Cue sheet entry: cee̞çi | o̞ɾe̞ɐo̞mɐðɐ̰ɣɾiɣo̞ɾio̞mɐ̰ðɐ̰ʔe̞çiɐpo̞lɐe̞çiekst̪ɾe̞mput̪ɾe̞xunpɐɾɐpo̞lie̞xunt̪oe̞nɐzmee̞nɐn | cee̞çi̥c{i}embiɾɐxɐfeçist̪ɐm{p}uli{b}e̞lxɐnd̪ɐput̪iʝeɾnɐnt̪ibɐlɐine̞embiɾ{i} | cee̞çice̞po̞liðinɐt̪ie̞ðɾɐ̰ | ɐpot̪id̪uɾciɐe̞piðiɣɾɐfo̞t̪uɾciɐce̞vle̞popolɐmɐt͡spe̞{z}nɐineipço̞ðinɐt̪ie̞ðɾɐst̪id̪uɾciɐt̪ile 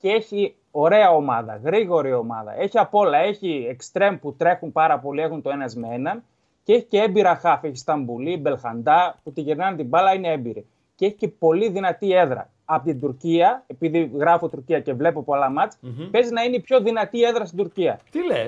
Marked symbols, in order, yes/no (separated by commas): no, no, yes, yes, yes